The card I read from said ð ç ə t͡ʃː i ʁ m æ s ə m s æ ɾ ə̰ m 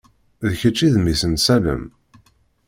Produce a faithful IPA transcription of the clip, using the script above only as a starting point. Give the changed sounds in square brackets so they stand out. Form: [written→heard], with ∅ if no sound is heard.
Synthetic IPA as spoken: ð ç ə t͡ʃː i [ʁ→ð] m [æ→i] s ə [m→n] s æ [ɾ→l] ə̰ m